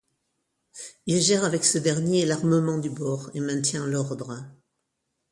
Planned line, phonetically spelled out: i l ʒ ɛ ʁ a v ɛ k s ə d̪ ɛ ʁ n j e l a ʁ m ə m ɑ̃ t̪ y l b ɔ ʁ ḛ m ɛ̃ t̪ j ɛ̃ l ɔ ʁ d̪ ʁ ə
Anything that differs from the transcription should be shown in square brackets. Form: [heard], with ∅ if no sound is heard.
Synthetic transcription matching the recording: i l ʒ ɛ ʁ a v ɛ k s ə d̪ ɛ ʁ n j e l a ʁ m ə m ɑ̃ [d̪] y [∅] b ɔ ʁ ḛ m ɛ̃ t̪ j ɛ̃ l ɔ ʁ d̪ ʁ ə